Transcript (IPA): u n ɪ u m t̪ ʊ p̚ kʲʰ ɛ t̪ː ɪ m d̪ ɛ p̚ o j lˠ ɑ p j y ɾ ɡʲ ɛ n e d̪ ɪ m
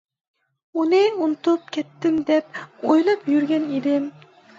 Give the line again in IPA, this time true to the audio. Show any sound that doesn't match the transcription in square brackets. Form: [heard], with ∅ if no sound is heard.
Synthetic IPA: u n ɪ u [n] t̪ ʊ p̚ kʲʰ ɛ t̪ː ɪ m d̪ ɛ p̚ o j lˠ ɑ p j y ɾ ɡʲ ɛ n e d̪ ɪ m